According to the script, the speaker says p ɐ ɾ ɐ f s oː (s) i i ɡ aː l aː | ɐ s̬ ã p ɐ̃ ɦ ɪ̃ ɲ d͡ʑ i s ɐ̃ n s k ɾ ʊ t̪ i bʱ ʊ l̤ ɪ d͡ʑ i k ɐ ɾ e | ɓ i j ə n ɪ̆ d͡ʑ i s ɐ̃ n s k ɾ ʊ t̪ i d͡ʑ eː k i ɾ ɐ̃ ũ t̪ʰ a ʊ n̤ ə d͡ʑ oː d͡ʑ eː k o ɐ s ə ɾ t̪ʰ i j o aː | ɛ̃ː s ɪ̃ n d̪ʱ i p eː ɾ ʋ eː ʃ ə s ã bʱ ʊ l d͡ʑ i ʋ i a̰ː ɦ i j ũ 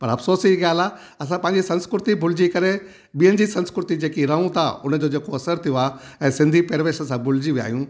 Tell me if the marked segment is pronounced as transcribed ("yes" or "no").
yes